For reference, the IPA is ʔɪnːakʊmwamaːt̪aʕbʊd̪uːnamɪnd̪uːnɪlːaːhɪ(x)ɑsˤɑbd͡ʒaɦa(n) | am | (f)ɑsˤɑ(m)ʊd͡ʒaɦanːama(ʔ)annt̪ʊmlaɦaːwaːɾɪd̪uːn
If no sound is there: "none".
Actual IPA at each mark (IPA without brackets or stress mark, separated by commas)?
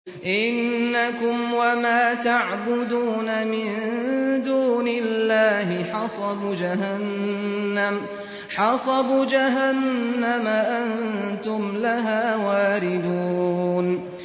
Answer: ħ, nː, ħ, b, ʔ